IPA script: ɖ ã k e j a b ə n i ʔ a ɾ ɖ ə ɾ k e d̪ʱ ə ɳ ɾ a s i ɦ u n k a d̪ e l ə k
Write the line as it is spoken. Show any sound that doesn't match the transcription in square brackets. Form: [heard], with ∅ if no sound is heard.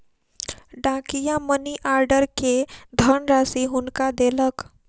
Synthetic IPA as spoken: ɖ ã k [i] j a [m] ə n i ʔ a ɾ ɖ ə ɾ k e d̪ʱ ə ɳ ɾ a s i ɦ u n k a d̪ e l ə k